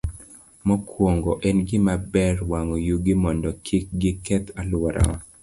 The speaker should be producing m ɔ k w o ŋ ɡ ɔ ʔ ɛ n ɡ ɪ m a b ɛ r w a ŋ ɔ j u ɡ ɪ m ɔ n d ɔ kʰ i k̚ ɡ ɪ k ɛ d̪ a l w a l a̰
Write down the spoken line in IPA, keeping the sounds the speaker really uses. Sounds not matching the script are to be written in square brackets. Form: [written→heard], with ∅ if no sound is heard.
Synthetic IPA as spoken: m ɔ k w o ŋ ɡ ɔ ʔ ɛ n ɡ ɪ m a b ɛ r w a ŋ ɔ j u ɡ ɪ m ɔ n d ɔ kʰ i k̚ ɡ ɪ k ɛ [d̪→t̪] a l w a [l→ɾ] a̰